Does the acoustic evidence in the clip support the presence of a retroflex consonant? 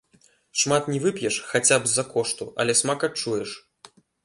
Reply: yes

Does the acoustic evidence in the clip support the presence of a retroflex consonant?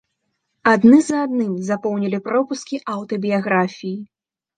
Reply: no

